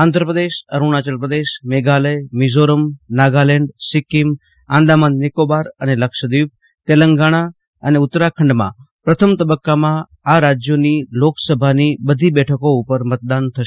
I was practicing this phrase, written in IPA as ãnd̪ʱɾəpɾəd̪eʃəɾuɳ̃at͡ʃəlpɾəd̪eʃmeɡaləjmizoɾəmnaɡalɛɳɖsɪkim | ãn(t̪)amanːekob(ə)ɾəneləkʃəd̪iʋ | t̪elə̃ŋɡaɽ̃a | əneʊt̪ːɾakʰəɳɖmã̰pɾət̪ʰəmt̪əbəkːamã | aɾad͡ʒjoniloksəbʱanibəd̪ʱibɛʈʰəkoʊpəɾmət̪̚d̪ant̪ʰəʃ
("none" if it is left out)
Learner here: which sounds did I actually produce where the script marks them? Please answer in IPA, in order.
d̪, a

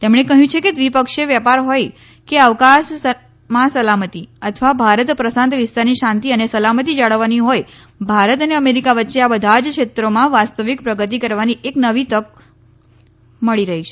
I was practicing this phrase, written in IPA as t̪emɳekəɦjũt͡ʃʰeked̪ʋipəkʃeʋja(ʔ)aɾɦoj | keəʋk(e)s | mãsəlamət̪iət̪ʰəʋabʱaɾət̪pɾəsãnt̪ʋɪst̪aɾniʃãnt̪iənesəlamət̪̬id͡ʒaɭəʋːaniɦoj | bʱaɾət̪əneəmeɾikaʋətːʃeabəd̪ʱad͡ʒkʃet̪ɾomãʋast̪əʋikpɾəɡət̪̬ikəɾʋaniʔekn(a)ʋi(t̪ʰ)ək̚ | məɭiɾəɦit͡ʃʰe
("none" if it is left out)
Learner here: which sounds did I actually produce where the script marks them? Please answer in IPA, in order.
p, a, ə, t̪

